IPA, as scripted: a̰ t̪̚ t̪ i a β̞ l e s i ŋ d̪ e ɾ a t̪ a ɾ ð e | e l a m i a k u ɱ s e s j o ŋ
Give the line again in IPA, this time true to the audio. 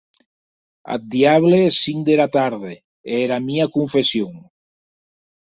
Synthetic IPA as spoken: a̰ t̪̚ d̪ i a β̞ l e s i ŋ d̪ e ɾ a t̪ a ɾ ð e | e ɾ a m i a k u ɱ f e s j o ŋ